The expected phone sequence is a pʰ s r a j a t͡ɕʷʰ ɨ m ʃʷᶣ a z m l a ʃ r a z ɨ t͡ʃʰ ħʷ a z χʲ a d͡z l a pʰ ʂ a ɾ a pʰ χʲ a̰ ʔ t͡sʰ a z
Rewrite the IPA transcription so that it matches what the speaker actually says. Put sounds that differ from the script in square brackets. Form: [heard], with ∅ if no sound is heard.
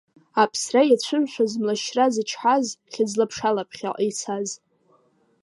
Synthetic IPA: a pʰ s r a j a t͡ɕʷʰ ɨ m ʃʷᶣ a z m l a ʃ r a z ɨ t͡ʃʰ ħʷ a z χʲ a d͡z l a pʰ ʂ a [l] a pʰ χʲ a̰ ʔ t͡sʰ a z